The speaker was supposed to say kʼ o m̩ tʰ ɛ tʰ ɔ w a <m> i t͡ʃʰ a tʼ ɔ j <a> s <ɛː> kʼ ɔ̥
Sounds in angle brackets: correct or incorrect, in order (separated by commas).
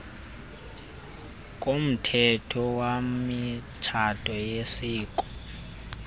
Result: correct, incorrect, incorrect